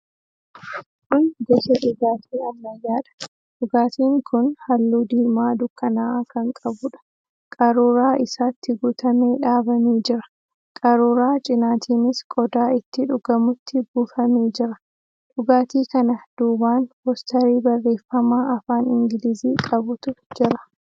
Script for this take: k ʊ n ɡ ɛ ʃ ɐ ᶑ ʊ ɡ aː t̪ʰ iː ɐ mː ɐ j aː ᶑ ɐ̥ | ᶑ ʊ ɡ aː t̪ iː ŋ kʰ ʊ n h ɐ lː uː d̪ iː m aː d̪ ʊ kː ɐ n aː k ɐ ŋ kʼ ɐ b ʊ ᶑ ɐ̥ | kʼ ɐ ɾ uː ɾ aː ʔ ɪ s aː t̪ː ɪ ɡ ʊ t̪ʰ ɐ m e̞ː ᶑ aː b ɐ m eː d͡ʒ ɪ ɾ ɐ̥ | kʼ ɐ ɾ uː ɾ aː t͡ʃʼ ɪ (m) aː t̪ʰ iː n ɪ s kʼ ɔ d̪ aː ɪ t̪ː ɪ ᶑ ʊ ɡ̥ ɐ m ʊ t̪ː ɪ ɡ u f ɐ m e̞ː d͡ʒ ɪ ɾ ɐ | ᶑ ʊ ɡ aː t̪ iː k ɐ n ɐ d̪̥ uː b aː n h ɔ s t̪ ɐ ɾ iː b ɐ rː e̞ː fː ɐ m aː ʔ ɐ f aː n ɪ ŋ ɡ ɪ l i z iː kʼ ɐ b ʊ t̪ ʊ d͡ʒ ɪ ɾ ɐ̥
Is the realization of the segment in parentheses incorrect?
yes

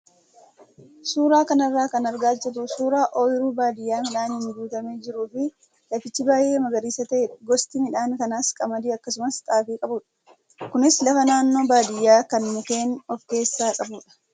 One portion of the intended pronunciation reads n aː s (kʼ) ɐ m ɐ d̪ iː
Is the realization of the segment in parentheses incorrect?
no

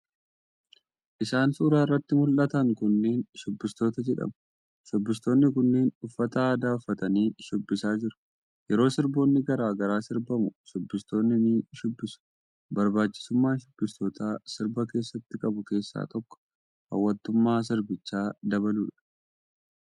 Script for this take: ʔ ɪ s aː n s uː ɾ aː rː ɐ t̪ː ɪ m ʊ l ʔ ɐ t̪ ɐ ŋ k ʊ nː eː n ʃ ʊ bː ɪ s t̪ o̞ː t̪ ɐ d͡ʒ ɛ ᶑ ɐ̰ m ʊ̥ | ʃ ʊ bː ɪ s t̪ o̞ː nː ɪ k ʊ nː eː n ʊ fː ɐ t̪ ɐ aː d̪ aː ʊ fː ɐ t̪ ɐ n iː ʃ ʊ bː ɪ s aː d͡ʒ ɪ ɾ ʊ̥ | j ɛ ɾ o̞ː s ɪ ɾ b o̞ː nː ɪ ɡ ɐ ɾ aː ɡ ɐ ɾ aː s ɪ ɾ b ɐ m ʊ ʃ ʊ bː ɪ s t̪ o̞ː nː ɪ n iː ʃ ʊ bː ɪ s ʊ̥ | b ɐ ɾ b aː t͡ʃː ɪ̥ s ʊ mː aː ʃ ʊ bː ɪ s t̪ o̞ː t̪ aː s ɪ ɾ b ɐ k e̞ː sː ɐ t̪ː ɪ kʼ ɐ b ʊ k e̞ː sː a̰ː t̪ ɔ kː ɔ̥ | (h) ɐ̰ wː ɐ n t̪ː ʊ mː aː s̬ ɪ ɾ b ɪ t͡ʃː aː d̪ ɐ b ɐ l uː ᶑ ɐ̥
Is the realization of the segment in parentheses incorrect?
no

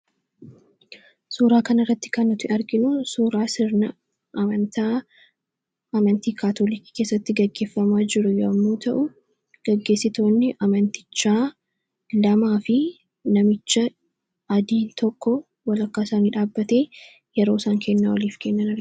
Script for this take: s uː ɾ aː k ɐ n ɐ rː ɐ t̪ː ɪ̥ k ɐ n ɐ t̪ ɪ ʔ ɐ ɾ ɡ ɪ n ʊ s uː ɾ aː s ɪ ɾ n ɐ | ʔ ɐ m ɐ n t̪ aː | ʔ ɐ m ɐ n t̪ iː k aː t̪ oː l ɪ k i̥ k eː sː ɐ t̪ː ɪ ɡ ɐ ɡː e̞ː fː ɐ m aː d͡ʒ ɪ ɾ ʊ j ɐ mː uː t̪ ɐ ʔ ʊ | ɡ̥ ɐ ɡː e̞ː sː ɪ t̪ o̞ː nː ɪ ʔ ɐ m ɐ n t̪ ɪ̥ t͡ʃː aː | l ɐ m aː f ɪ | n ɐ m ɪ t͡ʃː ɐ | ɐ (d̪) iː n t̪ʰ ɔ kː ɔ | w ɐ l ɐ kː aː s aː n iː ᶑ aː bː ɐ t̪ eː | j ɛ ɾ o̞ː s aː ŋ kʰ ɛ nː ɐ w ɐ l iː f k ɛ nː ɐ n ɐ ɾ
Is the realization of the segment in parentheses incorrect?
no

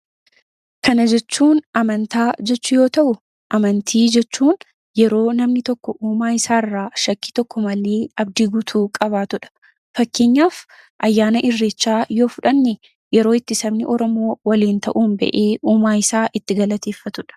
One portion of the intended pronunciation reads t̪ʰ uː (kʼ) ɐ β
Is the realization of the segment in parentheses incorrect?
no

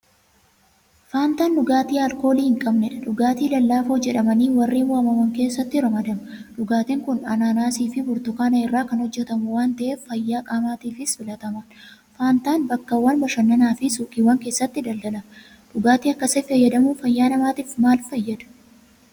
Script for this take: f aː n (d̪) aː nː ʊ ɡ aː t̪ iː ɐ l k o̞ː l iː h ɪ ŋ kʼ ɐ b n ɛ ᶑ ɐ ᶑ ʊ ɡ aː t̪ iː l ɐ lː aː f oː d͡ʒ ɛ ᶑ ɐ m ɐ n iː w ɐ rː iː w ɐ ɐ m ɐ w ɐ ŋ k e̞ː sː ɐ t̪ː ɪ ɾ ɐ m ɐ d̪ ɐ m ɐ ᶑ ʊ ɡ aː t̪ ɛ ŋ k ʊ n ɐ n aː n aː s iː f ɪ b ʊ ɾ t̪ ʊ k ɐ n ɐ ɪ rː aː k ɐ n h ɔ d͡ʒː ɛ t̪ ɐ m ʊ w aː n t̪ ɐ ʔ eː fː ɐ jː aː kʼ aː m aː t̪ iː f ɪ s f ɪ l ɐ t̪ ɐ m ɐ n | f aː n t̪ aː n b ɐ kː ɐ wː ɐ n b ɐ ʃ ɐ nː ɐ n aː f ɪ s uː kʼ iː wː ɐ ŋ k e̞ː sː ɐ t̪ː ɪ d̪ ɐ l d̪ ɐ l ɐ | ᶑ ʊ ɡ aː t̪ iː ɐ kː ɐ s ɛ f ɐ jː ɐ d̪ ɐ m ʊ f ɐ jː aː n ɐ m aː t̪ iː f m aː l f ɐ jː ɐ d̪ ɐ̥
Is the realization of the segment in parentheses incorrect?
yes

